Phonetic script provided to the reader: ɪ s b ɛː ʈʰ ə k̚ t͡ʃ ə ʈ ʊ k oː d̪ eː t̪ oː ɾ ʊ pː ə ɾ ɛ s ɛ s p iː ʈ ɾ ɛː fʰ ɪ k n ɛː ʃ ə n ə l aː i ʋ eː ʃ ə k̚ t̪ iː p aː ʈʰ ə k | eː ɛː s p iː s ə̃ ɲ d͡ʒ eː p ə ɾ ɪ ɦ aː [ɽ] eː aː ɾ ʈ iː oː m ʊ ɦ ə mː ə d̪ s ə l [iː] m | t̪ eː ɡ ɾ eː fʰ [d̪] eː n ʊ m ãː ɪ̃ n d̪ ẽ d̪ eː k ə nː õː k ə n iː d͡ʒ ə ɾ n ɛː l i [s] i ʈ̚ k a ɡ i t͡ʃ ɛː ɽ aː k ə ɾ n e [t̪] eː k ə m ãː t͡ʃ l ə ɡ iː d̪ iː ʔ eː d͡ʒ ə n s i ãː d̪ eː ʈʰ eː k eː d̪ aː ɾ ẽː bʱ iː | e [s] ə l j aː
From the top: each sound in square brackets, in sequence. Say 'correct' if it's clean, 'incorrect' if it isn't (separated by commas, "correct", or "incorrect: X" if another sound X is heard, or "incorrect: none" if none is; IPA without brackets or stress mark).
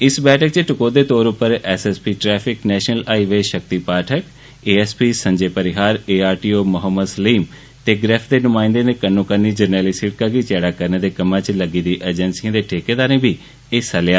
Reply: incorrect: ɾ, correct, correct, correct, incorrect: d̪, correct